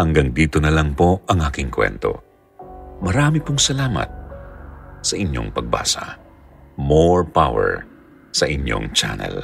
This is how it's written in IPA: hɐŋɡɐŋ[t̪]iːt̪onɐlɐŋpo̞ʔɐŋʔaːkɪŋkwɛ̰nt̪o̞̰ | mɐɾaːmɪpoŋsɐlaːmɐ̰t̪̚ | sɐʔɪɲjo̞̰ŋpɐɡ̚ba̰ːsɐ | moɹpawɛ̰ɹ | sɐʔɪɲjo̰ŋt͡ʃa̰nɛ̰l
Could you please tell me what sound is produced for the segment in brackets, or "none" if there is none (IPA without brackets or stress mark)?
d̪